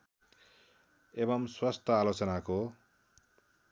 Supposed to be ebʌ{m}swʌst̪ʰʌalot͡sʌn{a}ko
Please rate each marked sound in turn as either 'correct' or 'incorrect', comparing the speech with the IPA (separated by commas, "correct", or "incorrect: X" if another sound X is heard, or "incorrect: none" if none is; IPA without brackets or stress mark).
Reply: correct, correct